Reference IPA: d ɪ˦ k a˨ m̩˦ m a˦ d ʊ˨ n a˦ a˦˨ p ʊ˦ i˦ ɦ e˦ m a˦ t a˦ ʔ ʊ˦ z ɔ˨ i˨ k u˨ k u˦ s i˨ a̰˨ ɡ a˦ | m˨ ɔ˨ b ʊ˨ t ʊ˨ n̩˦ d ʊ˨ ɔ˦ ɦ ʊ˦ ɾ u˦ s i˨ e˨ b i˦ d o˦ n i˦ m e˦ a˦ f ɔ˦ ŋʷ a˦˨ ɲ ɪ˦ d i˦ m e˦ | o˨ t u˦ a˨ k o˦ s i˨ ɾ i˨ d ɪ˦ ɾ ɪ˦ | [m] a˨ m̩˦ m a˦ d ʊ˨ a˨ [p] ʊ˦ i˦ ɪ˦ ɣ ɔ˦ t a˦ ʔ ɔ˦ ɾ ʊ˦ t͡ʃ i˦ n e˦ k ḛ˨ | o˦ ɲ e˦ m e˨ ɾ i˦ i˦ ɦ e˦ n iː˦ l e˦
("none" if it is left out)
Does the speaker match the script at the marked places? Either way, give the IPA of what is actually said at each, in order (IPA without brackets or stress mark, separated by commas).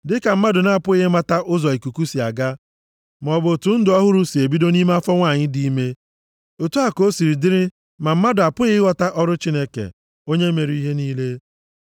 m, p